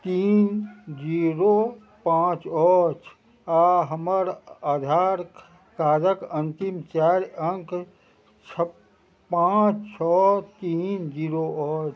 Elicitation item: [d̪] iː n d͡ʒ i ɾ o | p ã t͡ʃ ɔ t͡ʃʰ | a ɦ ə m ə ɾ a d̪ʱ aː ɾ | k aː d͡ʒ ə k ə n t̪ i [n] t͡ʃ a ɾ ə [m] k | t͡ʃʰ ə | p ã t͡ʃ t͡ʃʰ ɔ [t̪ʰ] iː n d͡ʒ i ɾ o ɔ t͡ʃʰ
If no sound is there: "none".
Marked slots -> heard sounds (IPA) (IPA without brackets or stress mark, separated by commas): t̪, m, ŋ, t̪